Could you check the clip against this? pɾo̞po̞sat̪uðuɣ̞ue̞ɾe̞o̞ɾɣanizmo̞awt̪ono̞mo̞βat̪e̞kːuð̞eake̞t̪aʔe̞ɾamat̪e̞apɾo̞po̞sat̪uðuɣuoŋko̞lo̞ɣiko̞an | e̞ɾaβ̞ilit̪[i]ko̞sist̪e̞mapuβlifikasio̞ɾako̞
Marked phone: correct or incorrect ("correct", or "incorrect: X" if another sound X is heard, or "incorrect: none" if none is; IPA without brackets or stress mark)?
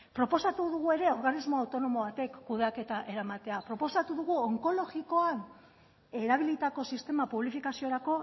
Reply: incorrect: a